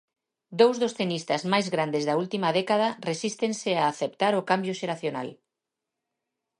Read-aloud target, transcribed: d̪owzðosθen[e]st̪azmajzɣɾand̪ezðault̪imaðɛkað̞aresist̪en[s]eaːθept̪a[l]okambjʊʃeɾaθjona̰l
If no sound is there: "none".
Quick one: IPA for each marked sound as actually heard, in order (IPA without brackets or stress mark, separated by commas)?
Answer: i, s, ɾ